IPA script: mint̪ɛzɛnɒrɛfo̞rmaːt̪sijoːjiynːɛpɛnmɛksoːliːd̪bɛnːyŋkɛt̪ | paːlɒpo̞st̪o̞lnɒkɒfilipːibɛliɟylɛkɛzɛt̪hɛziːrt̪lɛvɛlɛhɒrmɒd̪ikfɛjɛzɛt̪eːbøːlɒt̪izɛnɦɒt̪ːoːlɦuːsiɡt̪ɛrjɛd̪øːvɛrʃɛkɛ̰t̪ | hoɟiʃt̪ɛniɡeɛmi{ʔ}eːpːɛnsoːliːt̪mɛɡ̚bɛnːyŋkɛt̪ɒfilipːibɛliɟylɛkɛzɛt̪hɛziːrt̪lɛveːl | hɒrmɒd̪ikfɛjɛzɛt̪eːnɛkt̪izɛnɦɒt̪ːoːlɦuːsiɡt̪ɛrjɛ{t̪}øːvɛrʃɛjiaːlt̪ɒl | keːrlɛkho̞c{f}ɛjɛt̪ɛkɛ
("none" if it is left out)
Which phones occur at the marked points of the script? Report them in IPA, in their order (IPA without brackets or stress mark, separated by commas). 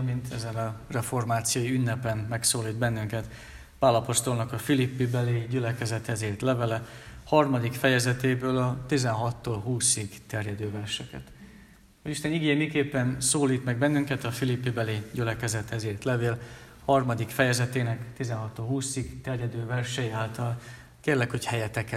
k, d̪, h